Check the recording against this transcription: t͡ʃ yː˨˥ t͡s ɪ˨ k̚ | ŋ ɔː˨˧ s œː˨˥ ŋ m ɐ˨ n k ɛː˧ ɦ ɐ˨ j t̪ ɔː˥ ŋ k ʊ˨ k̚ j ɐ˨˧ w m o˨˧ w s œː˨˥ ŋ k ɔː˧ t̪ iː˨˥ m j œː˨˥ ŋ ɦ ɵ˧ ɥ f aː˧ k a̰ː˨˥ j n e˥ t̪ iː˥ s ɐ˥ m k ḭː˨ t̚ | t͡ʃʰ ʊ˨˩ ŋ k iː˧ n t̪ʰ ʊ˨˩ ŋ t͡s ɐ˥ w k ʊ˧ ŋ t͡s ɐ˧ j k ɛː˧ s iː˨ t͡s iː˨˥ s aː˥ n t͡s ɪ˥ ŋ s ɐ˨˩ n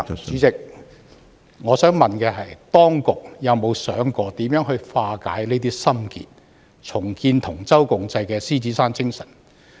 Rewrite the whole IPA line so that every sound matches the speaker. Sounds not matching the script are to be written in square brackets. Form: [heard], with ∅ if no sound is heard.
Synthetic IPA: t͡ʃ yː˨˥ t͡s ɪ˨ k̚ | ŋ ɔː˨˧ s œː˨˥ ŋ m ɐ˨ n k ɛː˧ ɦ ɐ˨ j t̪ ɔː˥ ŋ k ʊ˨ k̚ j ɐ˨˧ w m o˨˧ w s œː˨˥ ŋ k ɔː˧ t̪ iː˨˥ m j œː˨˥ ŋ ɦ ɵ˧ ɥ f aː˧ k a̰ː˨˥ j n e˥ t̪ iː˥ s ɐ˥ m k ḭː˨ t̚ | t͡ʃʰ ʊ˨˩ ŋ k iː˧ n t̪ʰ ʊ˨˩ ŋ t͡s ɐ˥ w k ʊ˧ ŋ t͡s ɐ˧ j k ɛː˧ s [iː˥] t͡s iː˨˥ s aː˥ n t͡s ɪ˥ ŋ s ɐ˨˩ n